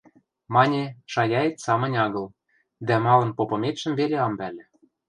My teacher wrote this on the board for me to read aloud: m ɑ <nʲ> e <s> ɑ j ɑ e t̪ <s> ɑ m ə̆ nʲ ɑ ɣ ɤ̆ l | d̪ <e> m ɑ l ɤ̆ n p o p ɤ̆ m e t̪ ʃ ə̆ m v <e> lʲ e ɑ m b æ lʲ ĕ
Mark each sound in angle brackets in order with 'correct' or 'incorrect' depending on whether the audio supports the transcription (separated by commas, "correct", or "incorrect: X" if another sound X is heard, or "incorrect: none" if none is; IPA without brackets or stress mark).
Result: correct, incorrect: ʃ, correct, incorrect: æ, correct